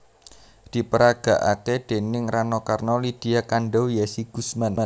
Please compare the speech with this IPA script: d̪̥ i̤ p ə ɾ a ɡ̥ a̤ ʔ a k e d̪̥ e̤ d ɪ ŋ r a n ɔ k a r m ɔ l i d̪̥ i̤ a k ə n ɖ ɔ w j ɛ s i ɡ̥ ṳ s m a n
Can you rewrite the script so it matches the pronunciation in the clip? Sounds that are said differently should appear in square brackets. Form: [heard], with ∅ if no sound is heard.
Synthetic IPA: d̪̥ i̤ p ə ɾ a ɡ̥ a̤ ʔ a k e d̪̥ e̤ [n] ɪ ŋ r a n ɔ k a r [n] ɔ l i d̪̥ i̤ a k [a] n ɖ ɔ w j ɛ s i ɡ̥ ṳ s m a n